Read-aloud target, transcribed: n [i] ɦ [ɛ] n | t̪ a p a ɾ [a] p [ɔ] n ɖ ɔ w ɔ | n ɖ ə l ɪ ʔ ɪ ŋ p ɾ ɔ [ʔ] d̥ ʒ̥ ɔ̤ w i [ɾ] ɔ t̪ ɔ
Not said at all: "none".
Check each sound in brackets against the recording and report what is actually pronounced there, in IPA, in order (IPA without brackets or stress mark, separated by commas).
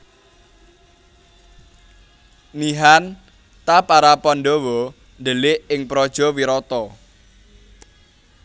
i, a, a, ɔ, none, ɾ